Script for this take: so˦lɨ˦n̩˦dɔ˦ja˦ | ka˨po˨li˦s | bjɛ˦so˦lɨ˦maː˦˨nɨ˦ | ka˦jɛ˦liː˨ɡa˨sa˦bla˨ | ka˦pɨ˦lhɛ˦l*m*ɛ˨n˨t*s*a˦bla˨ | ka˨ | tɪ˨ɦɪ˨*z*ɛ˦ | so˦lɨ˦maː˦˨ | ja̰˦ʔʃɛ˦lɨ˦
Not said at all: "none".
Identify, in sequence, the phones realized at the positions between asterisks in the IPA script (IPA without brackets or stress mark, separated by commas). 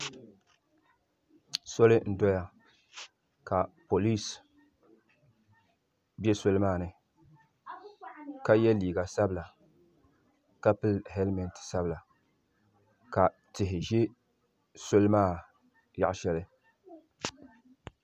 m, s, ʒ